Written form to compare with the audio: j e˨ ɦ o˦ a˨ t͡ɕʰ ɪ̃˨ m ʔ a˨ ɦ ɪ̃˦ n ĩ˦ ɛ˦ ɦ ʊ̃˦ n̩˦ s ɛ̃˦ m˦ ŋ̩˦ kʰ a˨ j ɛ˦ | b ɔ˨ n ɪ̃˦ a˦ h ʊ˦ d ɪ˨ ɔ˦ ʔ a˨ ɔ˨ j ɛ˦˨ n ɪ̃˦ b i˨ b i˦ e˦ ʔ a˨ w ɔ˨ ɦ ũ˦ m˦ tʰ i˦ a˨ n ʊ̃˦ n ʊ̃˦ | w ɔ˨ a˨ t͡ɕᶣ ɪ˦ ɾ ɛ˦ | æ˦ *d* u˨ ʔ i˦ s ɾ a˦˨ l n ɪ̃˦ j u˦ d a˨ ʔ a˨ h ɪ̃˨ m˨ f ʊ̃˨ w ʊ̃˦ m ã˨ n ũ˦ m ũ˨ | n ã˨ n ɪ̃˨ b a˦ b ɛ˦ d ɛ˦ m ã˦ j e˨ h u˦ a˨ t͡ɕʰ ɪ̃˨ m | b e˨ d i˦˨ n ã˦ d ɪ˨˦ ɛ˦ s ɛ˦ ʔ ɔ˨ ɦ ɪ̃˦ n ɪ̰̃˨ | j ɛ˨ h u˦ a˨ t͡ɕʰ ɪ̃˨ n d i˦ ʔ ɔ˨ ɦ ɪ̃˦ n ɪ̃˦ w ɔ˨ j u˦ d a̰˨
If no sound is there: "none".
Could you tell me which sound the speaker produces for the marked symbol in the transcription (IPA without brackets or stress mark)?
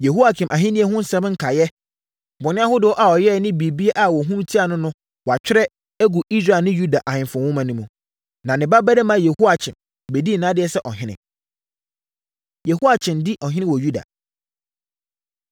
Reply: ɡ